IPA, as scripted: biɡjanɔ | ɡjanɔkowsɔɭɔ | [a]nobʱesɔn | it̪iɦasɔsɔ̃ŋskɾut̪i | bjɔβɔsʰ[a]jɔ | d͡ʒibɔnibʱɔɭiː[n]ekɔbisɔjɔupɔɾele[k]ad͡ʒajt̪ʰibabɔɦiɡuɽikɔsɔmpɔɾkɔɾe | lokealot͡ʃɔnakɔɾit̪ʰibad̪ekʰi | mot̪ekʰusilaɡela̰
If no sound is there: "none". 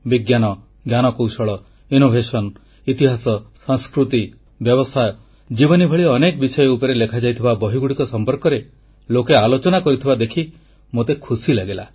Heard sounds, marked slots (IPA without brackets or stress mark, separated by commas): i, a, n, kʰ